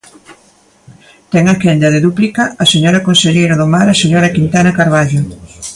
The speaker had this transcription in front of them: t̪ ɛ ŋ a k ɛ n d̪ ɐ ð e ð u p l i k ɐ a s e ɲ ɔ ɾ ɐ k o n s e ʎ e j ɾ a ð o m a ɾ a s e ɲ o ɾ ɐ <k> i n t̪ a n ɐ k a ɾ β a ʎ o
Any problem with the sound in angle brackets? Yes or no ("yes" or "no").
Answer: no